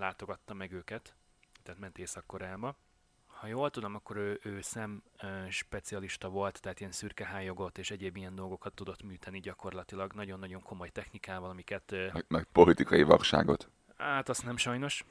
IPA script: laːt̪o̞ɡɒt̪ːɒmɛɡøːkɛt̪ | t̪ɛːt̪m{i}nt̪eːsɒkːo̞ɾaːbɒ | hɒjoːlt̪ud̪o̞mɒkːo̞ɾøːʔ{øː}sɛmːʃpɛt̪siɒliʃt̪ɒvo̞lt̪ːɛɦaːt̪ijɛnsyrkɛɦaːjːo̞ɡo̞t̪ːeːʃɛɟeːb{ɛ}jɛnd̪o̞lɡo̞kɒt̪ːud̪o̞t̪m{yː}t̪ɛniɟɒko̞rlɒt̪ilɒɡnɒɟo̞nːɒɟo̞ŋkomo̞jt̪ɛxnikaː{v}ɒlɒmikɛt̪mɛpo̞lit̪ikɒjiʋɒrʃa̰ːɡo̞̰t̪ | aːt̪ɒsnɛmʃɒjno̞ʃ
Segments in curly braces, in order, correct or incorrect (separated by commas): incorrect, correct, incorrect, correct, correct